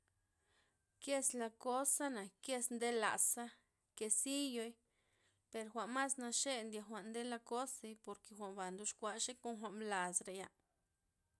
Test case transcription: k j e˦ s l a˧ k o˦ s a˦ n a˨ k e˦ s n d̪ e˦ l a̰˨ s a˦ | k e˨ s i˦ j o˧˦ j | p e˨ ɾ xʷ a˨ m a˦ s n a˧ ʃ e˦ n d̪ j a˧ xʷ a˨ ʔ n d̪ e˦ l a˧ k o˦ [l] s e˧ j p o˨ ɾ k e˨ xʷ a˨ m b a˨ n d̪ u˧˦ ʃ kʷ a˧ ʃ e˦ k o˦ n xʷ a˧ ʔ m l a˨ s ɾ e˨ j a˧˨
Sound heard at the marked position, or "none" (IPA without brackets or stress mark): none